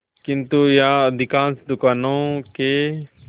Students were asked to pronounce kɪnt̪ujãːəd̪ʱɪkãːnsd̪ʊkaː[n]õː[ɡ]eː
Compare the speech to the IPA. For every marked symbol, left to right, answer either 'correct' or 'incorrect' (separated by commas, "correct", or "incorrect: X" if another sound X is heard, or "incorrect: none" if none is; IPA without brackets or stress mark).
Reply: correct, incorrect: k